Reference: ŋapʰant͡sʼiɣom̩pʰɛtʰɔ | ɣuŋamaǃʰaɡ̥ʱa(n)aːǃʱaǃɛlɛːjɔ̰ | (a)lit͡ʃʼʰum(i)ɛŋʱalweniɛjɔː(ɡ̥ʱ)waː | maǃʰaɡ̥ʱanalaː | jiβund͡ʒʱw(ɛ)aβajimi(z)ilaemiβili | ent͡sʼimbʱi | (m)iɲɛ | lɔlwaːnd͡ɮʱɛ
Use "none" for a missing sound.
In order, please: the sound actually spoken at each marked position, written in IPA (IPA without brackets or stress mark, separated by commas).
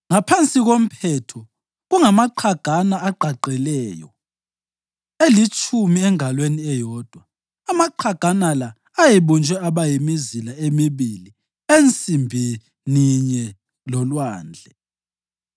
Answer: n, e, i, d̥ʱ, ɛ, z, n